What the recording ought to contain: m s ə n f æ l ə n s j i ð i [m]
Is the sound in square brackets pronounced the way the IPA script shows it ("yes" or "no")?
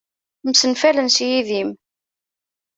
yes